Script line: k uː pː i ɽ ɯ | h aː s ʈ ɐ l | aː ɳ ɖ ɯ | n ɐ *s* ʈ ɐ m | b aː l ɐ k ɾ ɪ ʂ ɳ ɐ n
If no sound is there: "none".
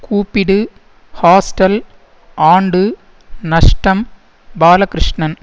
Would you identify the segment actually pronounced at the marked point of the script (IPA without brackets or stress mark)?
ʂ